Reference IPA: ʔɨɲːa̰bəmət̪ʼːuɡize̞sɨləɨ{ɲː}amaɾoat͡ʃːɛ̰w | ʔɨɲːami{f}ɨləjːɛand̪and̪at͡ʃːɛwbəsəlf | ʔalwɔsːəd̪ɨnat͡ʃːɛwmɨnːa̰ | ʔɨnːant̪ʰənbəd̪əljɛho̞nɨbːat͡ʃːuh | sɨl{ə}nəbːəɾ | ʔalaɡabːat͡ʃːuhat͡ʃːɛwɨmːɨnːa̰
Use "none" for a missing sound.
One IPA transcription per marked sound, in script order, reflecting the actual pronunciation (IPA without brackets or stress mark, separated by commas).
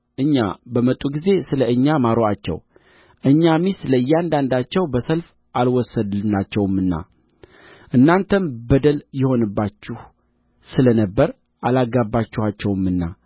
ɲː, s, ə